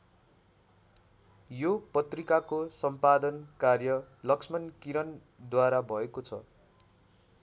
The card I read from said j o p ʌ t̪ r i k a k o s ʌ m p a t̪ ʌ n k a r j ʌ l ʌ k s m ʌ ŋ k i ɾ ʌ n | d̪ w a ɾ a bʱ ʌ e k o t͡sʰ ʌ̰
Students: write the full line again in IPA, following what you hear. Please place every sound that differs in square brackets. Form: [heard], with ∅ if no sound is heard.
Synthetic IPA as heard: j o p ʌ t̪ r i k a k o s ʌ m p a [d̪] ʌ n k a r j ʌ l ʌ k s m ʌ [n] k i ɾ ʌ n | d̪ w a ɾ a bʱ ʌ e k o t͡sʰ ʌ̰

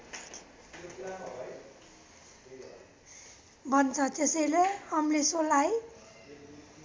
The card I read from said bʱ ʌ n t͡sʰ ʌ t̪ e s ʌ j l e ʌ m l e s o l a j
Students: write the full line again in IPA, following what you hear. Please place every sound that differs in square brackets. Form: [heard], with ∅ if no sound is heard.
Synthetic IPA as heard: bʱ ʌ n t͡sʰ ʌ t̪ e s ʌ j l e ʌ m l e s o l a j

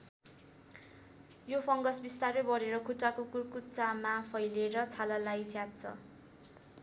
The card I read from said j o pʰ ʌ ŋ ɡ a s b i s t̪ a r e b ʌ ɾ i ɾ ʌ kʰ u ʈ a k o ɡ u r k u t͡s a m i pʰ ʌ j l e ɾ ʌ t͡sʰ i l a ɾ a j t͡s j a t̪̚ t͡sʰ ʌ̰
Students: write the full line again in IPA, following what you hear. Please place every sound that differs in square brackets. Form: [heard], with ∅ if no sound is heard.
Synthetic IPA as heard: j o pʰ ʌ ŋ ɡ [ʌ] s b i s t̪ a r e b ʌ ɾ [e] ɾ ʌ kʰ u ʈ a k o [k] u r k u t͡s a m [a] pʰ ʌ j l e ɾ ʌ t͡sʰ [a] l a [l] a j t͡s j a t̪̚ t͡sʰ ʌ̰

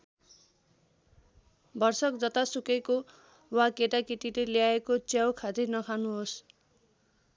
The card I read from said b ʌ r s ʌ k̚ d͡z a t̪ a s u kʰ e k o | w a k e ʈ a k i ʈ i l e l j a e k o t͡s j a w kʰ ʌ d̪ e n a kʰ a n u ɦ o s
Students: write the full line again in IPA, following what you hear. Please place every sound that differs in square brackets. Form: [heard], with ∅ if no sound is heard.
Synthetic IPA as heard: b ʌ r s ʌ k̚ d͡z [ʌ] t̪ a s u [k] e k o | w a k e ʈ a k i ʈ i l e l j a e k o t͡s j a w kʰ [a] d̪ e n [ʌ] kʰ a n u ɦ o s

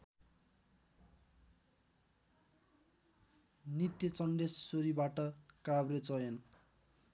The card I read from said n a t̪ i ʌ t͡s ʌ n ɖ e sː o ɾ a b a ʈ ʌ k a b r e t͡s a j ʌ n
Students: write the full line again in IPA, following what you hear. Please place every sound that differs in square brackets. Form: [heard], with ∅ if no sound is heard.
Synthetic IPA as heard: n [i] t̪ [j] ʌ t͡s ʌ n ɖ e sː o ɾ [i] b a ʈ ʌ k a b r e t͡s [ʌ] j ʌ n

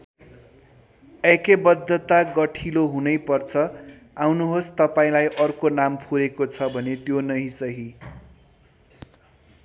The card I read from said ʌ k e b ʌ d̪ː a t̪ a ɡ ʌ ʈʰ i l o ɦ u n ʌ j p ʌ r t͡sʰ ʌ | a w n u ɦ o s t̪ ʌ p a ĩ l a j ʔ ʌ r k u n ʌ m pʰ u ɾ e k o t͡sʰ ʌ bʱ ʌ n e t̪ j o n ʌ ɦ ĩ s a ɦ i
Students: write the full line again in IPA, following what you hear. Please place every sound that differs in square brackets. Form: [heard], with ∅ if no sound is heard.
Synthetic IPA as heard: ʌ k e b ʌ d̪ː [ʌ] t̪ a ɡ ʌ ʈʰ i l o ɦ u n ʌ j p ʌ r t͡sʰ ʌ | a w n u ɦ o s t̪ ʌ p a ĩ l a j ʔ ʌ r k [o] n [a] m pʰ u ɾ e k o t͡sʰ ʌ bʱ ʌ n e t̪ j o n ʌ ɦ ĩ s [ʌ] ɦ i

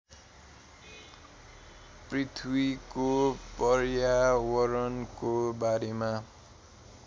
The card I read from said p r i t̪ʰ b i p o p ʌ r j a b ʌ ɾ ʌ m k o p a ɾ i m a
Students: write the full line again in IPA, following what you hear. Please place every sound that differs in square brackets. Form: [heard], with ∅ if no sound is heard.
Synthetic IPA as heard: p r i t̪ʰ [w] i [k] o p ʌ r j a [w] ʌ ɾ ʌ [n] k o [b] a ɾ [e] m a

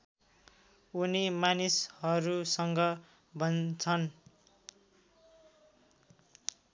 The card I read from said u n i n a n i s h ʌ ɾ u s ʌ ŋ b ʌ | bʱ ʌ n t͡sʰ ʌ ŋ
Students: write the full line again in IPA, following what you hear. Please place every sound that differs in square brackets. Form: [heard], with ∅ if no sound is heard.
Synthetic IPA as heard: u n i [m] a n i s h ʌ ɾ u s ʌ ŋ [ɡ] ʌ | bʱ ʌ n t͡sʰ ʌ [n]

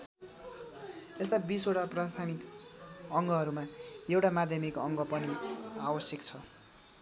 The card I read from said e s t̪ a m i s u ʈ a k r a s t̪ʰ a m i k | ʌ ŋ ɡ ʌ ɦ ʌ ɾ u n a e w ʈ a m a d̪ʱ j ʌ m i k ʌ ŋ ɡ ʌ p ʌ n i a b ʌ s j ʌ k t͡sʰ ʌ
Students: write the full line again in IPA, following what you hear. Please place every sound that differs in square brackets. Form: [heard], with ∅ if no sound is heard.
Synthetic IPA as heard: e s t̪ a [b] i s [o] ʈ a [p] r a s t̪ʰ a m i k | ʌ ŋ ɡ ʌ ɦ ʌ ɾ u [m] a e w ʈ a m a d̪ʱ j ʌ m i k ʌ ŋ ɡ ʌ p ʌ n i a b ʌ s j ʌ k t͡sʰ ʌ

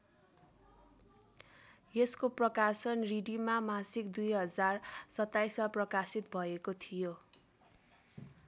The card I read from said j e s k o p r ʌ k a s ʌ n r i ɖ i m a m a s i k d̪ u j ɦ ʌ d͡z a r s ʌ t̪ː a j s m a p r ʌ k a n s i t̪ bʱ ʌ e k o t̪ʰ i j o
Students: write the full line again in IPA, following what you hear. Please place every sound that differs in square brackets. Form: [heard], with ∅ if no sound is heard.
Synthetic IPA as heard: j e s k o p r ʌ k a s ʌ n r i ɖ i m a m a s i k d̪ u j ɦ ʌ d͡z a r s ʌ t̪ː a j s m a p r ʌ k a [∅] s i t̪ bʱ ʌ e k o t̪ʰ i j o

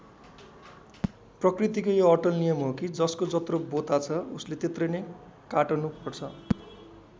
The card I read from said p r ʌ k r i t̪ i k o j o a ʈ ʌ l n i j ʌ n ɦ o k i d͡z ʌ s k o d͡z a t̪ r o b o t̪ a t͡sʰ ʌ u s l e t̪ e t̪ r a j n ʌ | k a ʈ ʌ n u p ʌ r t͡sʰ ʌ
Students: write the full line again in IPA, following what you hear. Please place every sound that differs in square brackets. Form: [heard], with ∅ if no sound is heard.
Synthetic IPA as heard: p r ʌ k r i t̪ i k o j o [ʌ] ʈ ʌ l n i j ʌ [m] ɦ o k i d͡z ʌ s k o d͡z [ʌ] t̪ r o b o t̪ a t͡sʰ ʌ u s l e t̪ e t̪ r [ʌ] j n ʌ | k a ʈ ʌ n u p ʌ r t͡sʰ ʌ

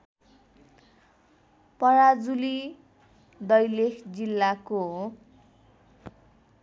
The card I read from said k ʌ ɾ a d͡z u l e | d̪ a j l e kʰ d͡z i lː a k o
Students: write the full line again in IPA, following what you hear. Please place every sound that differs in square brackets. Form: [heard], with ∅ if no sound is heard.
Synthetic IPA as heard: [p] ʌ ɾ a d͡z u l [i] | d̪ [ʌ] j l e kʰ d͡z i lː a k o

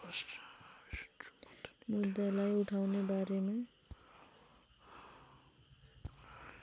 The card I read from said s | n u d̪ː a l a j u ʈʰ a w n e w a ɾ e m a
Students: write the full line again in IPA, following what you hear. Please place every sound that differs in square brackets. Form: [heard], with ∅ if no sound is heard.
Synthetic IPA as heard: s | [m] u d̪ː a l a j u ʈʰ a w n e [b] a ɾ e m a

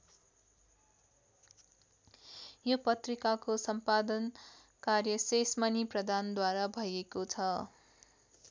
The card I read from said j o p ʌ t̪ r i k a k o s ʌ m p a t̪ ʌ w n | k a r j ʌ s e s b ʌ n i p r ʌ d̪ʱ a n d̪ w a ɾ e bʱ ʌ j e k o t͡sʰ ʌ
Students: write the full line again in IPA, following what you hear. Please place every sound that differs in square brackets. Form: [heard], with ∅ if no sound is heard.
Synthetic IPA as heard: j o p ʌ t̪ r i k a k o s ʌ m p a [d̪] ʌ [∅] n | k a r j ʌ s e s [m] ʌ n i p r ʌ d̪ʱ a n d̪ w a ɾ [a] bʱ ʌ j e k o t͡sʰ ʌ

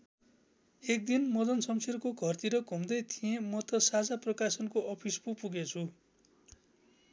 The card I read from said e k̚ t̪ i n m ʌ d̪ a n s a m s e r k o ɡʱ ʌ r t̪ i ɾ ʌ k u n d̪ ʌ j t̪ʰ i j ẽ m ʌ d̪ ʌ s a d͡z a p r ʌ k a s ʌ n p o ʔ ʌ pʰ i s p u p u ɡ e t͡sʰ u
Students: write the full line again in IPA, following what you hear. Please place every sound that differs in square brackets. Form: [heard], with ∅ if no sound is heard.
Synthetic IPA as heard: e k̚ [d̪] i n m ʌ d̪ [ʌ] n s [ʌ] m s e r k o ɡʱ ʌ r t̪ i ɾ ʌ k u [m] d̪ ʌ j t̪ʰ i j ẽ m ʌ [t̪] ʌ s a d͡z a p r ʌ k a s ʌ n [k] o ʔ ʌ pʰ i s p u p u ɡ e t͡sʰ u

